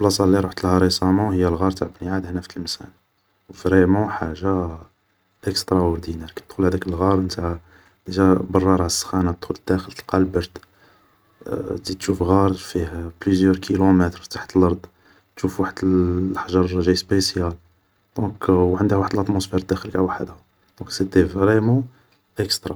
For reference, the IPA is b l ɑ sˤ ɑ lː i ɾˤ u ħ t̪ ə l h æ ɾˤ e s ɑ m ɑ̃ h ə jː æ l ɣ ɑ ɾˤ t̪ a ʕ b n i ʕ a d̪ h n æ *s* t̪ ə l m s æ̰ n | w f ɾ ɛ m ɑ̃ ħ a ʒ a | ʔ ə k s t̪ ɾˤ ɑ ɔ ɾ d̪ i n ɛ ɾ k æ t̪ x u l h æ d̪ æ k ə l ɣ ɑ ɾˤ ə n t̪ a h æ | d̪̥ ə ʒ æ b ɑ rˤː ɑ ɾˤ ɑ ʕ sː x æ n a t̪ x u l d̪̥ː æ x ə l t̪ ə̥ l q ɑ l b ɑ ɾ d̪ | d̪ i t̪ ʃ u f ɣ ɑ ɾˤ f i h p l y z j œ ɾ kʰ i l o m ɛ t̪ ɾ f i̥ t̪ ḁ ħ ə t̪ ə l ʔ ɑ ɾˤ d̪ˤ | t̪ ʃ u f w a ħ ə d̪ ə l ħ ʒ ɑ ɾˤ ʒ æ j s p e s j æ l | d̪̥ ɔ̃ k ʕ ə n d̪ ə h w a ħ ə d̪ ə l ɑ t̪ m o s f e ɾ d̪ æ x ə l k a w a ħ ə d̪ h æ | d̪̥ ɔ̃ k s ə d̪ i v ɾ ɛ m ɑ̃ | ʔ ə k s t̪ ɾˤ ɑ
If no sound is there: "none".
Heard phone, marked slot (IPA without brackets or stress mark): f